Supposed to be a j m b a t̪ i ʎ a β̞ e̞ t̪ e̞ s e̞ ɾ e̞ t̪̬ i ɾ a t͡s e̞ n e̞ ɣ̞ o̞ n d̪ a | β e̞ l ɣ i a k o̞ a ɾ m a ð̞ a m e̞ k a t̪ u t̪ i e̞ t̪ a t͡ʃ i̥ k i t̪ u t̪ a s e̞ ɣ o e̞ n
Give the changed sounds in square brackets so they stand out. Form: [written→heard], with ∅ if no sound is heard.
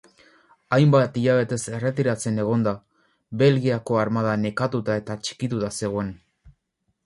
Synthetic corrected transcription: a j m b a t̪ i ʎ a β̞ e̞ t̪ e̞ s e̞ [ɾ→r] e̞ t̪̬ i ɾ a t͡s e̞ n e̞ ɣ̞ o̞ n d̪ a | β e̞ l ɣ i a k o̞ a ɾ m a ð̞ a [m→n] e̞ k a t̪ u t̪ [i→a] e̞ t̪ a t͡ʃ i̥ k i t̪ u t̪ a s e̞ ɣ o e̞ n